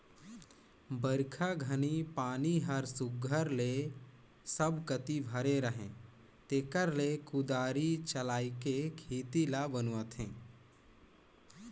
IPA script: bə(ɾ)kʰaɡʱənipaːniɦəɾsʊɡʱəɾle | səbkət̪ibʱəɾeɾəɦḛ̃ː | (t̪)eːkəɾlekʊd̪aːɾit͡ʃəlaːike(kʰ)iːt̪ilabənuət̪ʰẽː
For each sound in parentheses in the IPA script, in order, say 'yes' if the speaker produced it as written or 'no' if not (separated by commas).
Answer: yes, yes, yes